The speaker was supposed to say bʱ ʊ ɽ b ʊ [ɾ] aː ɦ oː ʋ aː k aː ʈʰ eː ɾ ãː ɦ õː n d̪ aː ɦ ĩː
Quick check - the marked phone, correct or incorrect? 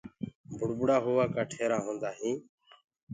incorrect: ɽ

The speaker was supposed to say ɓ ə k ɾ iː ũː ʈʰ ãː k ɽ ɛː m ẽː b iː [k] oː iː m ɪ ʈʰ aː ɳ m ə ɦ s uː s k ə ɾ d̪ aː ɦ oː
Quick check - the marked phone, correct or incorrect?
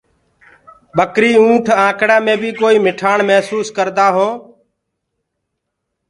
correct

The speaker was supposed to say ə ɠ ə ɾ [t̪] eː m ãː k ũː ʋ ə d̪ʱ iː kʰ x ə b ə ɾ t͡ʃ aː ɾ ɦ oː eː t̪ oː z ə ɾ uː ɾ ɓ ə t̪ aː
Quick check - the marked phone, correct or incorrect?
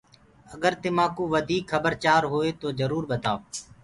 correct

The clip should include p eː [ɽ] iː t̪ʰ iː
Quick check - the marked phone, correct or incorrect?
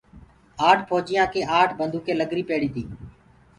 correct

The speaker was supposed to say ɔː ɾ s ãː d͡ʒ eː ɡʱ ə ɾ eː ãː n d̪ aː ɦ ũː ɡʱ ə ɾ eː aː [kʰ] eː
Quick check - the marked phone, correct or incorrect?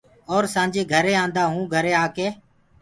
incorrect: k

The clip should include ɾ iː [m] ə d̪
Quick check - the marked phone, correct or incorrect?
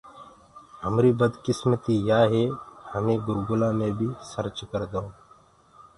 incorrect: b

